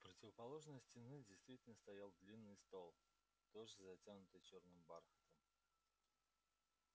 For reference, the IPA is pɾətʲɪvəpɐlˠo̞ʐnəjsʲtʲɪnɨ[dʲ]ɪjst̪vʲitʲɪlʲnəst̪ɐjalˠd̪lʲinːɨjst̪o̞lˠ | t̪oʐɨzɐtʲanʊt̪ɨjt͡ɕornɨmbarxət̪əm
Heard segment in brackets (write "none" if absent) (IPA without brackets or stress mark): dʲ